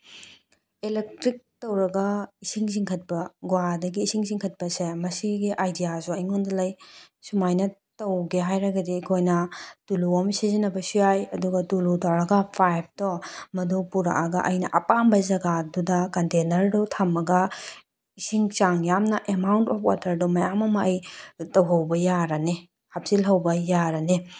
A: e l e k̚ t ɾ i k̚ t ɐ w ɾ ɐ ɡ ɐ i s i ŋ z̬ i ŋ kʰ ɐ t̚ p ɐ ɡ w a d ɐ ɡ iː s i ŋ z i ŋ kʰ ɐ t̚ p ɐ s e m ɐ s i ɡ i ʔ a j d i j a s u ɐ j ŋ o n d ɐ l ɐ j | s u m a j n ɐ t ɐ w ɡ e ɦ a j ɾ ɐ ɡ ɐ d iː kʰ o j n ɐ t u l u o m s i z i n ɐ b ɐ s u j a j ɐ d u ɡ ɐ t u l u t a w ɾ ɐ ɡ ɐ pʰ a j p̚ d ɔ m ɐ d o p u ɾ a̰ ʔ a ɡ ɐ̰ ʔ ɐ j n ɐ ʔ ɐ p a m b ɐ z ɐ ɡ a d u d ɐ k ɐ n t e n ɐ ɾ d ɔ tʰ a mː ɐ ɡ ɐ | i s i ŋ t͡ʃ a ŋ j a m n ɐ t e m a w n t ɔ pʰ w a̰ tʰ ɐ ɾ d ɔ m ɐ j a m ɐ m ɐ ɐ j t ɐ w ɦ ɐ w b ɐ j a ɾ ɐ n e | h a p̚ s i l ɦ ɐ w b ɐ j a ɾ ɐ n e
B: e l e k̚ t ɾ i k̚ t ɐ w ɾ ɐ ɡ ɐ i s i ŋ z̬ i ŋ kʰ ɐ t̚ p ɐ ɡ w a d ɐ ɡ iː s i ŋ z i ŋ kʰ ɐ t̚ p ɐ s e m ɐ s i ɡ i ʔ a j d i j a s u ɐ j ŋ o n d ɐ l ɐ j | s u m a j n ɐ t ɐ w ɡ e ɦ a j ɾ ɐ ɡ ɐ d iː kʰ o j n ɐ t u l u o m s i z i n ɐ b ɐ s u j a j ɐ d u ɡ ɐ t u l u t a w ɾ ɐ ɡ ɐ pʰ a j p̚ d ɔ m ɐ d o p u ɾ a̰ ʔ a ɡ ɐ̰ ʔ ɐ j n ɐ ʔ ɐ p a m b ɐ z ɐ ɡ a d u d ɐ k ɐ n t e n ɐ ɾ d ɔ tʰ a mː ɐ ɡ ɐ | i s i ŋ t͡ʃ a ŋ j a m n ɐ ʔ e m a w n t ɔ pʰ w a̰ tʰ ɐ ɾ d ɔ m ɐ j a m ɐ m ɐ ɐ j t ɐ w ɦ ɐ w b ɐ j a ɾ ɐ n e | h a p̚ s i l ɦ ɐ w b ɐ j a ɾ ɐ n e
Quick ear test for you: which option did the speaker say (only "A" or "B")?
B